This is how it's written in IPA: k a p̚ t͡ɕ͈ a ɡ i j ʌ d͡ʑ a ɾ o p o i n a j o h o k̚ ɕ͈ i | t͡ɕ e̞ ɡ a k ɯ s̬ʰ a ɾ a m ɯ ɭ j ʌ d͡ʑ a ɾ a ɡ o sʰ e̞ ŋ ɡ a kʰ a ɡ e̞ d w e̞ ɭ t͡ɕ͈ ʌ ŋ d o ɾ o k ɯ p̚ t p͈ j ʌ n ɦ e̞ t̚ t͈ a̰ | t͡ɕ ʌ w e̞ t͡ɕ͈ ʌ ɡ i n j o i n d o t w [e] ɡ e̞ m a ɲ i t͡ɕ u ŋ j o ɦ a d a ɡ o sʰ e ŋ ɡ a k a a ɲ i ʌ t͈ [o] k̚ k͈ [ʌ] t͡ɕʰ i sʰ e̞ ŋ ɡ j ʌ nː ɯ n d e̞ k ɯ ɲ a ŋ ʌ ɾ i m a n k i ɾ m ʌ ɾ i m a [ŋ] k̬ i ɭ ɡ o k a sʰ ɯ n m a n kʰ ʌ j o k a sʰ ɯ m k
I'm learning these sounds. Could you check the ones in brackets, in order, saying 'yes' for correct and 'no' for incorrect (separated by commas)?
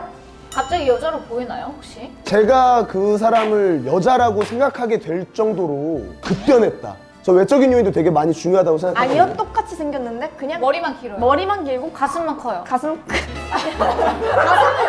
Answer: yes, yes, no, no